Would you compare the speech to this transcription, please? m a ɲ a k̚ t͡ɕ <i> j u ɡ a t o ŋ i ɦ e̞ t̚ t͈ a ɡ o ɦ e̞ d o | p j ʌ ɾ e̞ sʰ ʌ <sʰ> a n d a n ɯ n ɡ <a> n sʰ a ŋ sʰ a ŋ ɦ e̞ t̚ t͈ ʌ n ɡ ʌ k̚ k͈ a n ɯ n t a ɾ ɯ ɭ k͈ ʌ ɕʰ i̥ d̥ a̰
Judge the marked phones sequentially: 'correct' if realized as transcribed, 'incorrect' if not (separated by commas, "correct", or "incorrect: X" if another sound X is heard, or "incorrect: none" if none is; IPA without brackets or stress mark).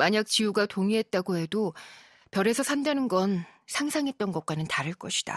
correct, correct, incorrect: ʌ